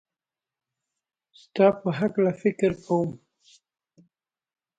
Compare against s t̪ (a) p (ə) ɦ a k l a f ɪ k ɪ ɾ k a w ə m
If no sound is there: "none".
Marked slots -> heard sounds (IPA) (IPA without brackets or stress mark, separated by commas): ɑ, ə